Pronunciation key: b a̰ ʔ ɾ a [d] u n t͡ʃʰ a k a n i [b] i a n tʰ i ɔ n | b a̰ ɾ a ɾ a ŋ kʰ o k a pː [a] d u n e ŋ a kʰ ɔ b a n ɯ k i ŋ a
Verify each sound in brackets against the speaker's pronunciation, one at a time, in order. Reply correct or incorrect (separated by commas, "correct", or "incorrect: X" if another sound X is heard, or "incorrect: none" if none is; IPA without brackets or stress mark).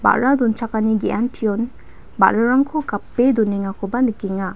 correct, incorrect: ɡ, incorrect: e